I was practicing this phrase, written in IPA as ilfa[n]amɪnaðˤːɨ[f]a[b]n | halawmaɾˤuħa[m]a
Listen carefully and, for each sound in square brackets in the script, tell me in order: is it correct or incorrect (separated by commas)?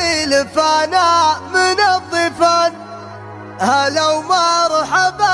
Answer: correct, correct, incorrect, incorrect